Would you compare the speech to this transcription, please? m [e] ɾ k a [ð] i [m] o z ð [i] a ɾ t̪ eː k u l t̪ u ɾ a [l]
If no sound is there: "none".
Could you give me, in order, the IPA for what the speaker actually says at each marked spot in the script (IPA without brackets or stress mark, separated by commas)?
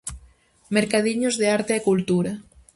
e, ð, ɲ, e, none